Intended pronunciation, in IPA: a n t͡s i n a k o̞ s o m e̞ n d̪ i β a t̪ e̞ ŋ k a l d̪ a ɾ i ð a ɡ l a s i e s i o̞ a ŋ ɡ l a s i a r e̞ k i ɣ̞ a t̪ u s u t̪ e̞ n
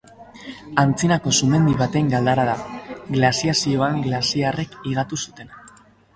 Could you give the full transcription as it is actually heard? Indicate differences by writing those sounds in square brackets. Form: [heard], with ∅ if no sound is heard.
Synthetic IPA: a n t͡s i n a k o̞ s [u] m e̞ n d̪ i β a t̪ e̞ ŋ [ɡ] a l d̪ a ɾ [a] ð a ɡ l a s i [a] s i o̞ a ŋ ɡ l a s i a r e̞ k i ɣ̞ a t̪ u s u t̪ e̞ n